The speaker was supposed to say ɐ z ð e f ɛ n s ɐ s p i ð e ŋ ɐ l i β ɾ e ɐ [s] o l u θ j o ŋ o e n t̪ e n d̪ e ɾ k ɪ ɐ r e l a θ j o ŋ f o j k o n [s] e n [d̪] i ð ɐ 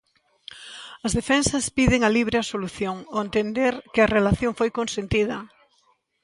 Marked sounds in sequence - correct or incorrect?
correct, correct, incorrect: t̪

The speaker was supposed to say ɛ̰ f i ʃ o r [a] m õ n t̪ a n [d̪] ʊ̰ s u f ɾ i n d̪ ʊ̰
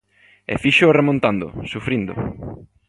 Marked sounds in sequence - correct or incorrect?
incorrect: e, correct

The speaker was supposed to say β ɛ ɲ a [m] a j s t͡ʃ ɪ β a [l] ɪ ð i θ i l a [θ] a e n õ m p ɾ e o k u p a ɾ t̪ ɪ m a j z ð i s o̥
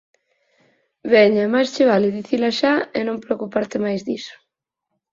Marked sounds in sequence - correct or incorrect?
correct, correct, incorrect: ʃ

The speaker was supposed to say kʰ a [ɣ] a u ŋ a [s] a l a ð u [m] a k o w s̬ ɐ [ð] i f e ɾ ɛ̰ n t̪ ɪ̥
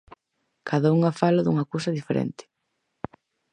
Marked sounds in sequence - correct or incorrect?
incorrect: ð, incorrect: f, incorrect: ŋ, correct

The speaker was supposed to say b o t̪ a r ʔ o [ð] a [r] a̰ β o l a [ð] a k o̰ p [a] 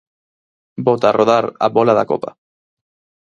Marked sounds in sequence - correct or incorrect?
correct, incorrect: ɾ, correct, correct

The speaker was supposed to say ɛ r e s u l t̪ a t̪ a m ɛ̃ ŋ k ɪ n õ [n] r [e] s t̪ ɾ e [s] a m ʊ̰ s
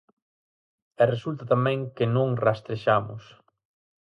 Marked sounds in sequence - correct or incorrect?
incorrect: ŋ, incorrect: a, incorrect: ʃ

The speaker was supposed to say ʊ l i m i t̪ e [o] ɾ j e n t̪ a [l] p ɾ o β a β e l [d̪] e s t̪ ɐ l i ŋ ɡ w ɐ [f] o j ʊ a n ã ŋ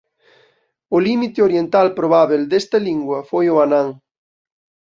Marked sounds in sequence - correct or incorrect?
correct, correct, correct, correct

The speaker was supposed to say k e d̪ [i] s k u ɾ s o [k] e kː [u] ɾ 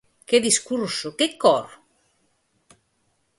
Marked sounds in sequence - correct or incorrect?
correct, correct, incorrect: ɔ

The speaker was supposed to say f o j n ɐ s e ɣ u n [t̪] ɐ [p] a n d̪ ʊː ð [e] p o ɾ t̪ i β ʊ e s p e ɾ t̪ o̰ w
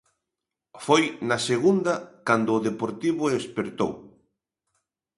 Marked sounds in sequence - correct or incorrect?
incorrect: d̪, incorrect: k, correct

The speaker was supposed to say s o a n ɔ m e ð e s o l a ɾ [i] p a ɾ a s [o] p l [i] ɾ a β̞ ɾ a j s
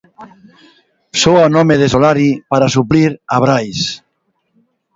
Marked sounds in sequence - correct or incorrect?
correct, incorrect: u, correct

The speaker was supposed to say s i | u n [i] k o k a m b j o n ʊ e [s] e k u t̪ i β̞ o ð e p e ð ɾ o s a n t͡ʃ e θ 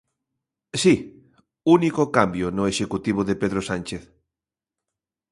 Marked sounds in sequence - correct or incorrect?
correct, incorrect: ʃ

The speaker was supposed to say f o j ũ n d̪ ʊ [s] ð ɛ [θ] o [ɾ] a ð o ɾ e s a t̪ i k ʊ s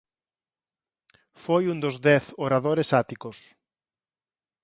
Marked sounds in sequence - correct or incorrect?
incorrect: z, correct, correct

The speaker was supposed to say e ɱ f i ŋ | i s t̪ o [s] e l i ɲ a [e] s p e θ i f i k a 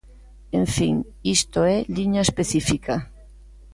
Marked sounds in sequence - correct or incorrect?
incorrect: none, correct

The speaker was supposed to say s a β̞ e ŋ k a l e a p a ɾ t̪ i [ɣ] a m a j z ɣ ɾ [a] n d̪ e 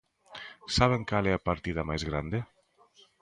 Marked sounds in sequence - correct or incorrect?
incorrect: ð, correct

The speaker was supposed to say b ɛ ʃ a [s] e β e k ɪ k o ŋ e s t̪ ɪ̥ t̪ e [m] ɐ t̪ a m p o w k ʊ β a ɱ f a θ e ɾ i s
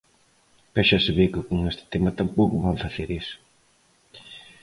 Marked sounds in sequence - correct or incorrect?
correct, correct

